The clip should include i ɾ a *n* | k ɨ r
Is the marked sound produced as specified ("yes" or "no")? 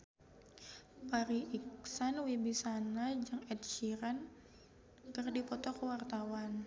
yes